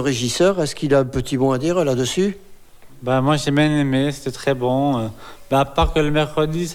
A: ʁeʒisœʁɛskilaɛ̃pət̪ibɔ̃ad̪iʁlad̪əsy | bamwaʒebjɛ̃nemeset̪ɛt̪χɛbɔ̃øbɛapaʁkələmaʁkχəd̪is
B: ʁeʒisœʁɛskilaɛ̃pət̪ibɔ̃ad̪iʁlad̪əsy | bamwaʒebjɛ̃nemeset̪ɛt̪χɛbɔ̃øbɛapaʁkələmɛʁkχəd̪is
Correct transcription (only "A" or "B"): B